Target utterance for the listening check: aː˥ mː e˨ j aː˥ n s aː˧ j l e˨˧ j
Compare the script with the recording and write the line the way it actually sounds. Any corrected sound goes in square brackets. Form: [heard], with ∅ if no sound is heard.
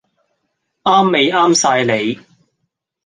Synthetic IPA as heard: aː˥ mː e˨ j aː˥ [m] s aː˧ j l e˨˧ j